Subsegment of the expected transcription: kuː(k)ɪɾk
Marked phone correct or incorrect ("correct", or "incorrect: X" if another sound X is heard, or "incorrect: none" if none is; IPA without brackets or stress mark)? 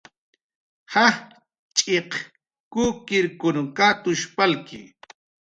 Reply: correct